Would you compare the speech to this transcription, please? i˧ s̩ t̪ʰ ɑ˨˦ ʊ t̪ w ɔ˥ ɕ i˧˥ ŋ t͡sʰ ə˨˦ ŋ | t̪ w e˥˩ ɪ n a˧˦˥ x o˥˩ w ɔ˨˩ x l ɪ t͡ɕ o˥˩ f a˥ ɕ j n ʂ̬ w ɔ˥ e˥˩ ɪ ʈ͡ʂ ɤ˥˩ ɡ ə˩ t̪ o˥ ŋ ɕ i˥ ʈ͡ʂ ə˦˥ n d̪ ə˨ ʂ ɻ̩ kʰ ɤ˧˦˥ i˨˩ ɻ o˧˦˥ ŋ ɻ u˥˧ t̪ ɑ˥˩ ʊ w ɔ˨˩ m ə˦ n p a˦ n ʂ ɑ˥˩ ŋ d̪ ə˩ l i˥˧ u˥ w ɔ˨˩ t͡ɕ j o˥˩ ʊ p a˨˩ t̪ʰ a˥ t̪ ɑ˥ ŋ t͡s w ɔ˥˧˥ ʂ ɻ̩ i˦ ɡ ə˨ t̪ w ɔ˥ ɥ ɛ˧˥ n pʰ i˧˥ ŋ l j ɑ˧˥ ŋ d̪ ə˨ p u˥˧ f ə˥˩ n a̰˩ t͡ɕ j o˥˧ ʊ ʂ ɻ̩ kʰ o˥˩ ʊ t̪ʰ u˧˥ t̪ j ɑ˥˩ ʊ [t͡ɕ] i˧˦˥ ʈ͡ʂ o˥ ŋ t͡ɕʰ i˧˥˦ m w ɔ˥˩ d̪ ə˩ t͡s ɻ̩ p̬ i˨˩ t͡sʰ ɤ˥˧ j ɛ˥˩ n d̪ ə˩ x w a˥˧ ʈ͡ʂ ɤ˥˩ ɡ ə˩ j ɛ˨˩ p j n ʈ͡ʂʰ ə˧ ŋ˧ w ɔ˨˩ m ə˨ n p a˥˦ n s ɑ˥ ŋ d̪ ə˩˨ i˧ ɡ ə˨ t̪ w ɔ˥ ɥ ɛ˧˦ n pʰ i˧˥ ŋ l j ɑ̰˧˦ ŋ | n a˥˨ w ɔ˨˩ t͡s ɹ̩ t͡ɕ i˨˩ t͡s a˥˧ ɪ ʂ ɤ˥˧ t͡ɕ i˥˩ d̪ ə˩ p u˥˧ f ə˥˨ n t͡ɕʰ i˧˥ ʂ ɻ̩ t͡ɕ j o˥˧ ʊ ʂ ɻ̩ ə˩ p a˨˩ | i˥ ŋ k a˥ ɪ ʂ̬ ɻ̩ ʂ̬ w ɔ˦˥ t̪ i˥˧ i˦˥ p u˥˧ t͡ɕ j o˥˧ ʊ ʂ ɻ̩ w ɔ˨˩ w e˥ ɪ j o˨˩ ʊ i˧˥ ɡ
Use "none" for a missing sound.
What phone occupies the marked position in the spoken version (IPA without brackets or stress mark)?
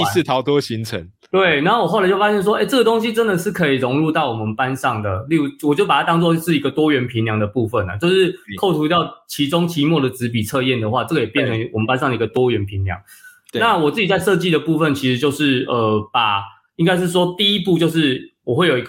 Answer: t͡ɕʰ